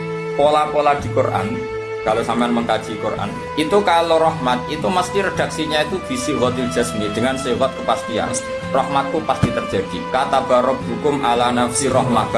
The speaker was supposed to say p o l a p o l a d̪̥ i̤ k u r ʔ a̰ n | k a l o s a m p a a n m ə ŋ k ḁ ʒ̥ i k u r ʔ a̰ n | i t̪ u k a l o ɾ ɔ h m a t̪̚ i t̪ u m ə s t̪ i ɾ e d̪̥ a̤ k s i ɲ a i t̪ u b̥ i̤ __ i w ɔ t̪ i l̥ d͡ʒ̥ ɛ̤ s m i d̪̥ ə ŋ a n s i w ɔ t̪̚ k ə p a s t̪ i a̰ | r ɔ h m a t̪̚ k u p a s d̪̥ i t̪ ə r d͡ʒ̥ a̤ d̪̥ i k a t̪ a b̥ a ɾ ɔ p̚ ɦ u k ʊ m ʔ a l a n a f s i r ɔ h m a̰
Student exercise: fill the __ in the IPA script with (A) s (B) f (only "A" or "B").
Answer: A